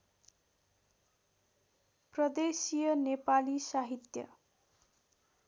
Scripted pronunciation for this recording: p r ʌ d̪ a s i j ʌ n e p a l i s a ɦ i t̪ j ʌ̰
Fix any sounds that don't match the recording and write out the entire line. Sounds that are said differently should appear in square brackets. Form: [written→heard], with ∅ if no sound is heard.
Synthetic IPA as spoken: p r ʌ d̪ [a→e] s i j ʌ n e p a l i s a ɦ i t̪ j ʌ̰